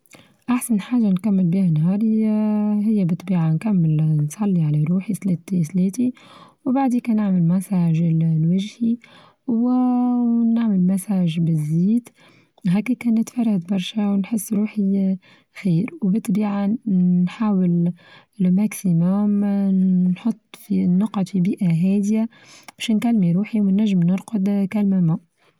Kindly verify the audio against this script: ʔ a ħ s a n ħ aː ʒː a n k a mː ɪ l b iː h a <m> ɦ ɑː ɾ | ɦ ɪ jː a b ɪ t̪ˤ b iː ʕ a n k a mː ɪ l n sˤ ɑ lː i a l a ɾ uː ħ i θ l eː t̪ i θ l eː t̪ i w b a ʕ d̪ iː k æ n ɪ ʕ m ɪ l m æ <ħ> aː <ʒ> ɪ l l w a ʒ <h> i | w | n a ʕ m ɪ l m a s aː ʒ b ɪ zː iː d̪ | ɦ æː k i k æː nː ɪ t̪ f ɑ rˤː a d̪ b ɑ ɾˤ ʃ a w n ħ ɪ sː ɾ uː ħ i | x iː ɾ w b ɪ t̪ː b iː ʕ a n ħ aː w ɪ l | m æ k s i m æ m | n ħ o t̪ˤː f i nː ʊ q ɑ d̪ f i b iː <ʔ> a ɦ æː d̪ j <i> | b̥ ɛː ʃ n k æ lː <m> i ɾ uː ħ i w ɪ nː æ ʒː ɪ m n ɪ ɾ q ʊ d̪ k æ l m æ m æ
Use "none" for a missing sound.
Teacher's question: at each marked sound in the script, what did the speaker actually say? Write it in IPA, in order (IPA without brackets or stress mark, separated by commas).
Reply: n, s, ʒ, h, ʔ, a, m